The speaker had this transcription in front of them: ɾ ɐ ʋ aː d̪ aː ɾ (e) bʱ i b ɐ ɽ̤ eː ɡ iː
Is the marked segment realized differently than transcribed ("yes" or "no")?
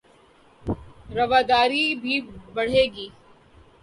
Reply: yes